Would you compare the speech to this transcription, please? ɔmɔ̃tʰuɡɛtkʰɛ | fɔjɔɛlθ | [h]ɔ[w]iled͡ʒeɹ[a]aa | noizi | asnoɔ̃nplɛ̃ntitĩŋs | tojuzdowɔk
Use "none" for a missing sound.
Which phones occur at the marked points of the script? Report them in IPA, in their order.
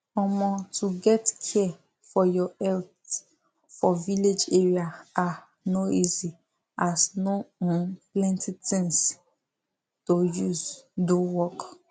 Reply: f, v, i

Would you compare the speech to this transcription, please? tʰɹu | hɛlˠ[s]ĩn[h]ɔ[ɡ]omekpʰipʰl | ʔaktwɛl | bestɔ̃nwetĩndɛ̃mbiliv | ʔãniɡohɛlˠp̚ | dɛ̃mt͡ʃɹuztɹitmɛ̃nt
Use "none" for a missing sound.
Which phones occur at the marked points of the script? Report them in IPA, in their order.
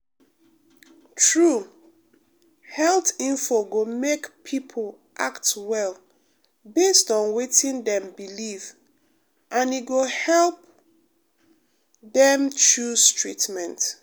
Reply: t, f, ɡ

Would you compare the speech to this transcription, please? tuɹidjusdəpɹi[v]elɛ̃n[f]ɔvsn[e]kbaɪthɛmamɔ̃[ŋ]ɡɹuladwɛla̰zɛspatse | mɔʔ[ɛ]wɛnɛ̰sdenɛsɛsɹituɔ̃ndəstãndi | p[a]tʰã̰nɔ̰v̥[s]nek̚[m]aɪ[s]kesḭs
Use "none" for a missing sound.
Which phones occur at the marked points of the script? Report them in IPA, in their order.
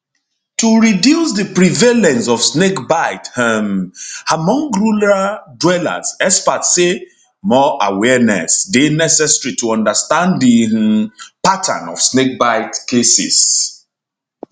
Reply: v, s, e, ŋ, a, a, s, b, t

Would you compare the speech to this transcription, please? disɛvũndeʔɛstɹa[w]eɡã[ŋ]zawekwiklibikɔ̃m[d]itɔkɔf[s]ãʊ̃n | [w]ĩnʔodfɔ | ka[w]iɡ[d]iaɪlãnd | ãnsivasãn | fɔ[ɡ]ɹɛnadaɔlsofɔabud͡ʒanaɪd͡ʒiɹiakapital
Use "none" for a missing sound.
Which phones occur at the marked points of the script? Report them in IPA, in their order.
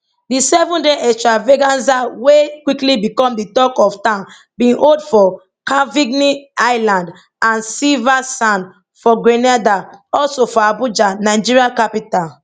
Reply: v, n, d, t, b, v, n, ɡ

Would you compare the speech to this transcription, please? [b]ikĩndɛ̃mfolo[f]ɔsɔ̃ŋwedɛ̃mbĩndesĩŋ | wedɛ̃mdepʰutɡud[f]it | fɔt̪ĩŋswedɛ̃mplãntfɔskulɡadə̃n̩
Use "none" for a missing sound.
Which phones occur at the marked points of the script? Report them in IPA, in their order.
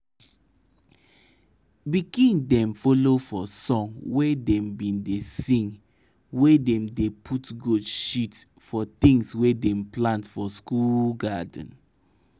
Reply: b, f, ʃ

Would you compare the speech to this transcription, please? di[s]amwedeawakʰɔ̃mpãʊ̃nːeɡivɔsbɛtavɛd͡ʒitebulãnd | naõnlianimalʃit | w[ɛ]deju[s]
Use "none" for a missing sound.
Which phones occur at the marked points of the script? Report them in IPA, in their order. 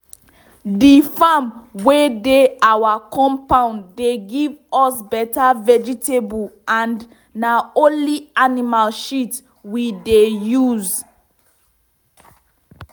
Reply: f, i, z

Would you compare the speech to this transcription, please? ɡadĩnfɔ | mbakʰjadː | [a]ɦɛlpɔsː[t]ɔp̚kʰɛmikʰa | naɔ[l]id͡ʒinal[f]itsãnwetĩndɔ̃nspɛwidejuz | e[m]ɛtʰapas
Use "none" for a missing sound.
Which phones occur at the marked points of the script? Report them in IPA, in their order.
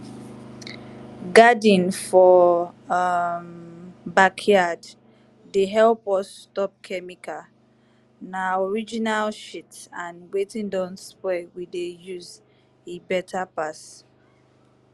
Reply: e, t, ɹ, ʃ, b

